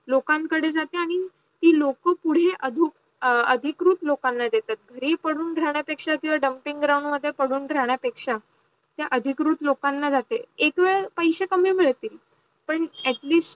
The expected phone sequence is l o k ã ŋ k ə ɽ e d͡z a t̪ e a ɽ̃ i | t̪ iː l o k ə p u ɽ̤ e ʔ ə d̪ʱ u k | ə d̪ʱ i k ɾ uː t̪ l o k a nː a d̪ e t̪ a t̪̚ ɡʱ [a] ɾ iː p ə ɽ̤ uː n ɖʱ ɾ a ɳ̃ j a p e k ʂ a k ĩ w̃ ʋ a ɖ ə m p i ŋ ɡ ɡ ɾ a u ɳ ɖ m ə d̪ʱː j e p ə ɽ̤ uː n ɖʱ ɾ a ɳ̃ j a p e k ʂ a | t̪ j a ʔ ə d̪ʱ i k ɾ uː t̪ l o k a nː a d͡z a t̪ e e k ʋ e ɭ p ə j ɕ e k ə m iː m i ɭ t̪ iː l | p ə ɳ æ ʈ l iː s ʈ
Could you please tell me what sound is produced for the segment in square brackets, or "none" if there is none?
ə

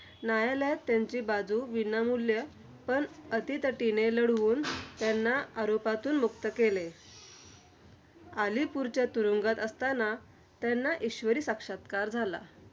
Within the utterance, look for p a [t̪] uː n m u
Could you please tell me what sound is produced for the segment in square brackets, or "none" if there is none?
t̪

